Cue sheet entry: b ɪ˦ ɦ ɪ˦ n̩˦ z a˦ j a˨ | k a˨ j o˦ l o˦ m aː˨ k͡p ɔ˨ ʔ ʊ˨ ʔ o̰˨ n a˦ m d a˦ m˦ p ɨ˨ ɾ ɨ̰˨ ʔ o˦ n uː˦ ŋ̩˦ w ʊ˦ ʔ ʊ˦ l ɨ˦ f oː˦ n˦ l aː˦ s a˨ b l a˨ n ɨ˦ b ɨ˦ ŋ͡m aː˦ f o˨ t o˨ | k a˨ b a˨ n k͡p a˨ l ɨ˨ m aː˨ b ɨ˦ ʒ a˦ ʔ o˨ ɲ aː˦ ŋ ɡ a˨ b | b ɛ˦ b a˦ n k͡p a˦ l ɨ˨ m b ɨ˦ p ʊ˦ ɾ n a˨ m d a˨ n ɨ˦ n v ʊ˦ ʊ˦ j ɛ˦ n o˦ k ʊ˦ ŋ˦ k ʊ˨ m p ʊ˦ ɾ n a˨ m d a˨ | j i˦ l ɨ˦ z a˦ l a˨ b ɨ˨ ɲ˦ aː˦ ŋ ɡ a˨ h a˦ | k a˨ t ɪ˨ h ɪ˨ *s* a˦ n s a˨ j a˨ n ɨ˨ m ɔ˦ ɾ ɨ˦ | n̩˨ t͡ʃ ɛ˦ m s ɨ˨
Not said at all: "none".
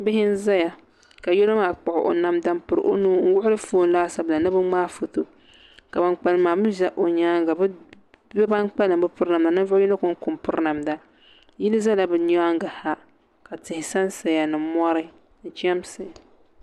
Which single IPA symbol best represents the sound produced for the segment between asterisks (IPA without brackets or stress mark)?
s